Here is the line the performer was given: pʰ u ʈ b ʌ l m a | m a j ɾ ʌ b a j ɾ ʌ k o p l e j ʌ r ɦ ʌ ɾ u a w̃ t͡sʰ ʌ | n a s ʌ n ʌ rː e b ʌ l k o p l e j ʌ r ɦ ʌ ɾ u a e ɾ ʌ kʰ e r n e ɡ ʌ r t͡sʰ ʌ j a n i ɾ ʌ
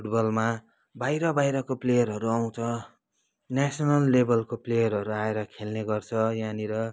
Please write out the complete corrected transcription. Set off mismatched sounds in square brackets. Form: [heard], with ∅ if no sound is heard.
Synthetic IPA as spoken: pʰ u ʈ b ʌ l m a | [b] a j ɾ ʌ b a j ɾ ʌ k o p l e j ʌ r ɦ ʌ ɾ u a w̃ t͡sʰ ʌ | n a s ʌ n ʌ [lː] e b ʌ l k o p l e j ʌ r ɦ ʌ ɾ u a e ɾ ʌ kʰ e [l] n e ɡ ʌ r t͡sʰ ʌ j a n i ɾ ʌ